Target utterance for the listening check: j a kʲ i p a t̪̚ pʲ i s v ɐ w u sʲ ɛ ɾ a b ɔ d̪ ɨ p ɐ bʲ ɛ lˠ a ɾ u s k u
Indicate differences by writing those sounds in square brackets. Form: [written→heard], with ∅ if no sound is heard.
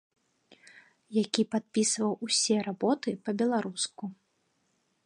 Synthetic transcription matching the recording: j a kʲ i p a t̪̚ pʲ i s v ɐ w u sʲ ɛ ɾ a b ɔ [d̪→t̪] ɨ p ɐ bʲ ɛ lˠ a ɾ u s k u